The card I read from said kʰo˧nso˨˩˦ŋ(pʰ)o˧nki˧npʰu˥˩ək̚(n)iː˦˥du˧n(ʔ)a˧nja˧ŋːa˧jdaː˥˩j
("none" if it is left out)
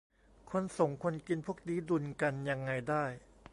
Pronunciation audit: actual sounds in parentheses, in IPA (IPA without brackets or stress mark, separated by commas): kʰ, d, k